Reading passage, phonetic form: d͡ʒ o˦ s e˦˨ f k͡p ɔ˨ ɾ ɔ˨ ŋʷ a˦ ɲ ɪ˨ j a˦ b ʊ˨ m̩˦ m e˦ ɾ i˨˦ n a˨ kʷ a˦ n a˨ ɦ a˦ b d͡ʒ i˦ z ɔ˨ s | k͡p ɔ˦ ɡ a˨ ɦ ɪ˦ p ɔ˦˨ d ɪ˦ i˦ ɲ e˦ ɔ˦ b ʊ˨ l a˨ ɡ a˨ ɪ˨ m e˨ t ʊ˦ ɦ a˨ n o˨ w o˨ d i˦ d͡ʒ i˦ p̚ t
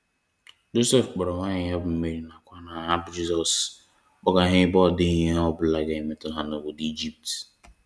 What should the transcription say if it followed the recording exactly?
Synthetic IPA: d͡ʒ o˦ s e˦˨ f k͡p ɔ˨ ɾ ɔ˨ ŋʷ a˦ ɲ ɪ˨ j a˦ b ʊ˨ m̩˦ m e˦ ɾ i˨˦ n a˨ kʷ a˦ n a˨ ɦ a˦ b d͡ʒ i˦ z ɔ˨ s | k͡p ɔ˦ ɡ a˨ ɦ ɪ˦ b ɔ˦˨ d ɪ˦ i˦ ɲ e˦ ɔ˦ b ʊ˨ l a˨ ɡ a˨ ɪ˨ m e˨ t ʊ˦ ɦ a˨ n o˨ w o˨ d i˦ d͡ʒ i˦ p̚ t